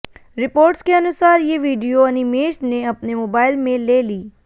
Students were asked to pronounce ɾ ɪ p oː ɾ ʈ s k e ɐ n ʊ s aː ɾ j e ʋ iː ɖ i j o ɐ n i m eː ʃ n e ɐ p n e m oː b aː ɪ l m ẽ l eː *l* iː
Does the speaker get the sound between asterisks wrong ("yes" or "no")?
no